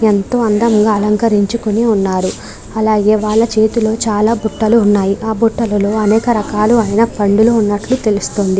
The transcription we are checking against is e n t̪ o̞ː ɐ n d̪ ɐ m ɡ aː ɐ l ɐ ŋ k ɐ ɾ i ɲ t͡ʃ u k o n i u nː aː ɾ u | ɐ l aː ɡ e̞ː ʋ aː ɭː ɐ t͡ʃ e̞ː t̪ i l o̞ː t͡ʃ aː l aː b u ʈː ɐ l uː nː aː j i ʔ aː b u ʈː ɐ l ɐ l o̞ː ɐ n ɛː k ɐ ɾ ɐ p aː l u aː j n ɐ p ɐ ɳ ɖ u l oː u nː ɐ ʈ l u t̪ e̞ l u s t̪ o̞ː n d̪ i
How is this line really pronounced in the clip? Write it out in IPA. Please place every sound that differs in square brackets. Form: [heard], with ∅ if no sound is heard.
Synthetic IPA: e n t̪ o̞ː ɐ n d̪ ɐ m ɡ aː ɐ l ɐ ŋ k ɐ ɾ i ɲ t͡ʃ u k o n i u nː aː ɾ u | ɐ l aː ɡ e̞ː ʋ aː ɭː ɐ t͡ʃ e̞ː t̪ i l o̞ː t͡ʃ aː l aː b u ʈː ɐ l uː nː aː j i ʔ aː b u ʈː ɐ l ɐ l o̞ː ɐ n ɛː k ɐ ɾ ɐ [k] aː l u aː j n ɐ p ɐ ɳ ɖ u l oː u nː ɐ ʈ l u t̪ e̞ l u s t̪ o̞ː n d̪ i